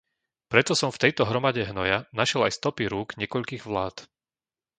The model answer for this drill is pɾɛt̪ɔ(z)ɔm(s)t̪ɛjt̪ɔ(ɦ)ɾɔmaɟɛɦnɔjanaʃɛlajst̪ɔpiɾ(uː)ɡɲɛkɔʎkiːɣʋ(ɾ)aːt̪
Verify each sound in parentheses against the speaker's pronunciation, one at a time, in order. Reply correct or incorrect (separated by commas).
incorrect, incorrect, correct, correct, incorrect